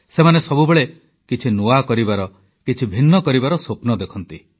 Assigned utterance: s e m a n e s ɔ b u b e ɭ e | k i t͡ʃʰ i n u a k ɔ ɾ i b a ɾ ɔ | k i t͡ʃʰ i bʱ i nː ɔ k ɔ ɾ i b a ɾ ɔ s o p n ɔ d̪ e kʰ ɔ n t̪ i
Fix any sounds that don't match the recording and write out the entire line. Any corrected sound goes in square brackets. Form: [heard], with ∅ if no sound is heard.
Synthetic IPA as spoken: s e m a n e s ɔ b u b e ɭ e | k i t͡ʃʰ i n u a k ɔ ɾ i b a ɾ ɔ | k i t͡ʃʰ i bʱ i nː ɔ k ɔ ɾ i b a ɾ ɔ s o p n ɔ d̪ e kʰ ɔ n t̪ i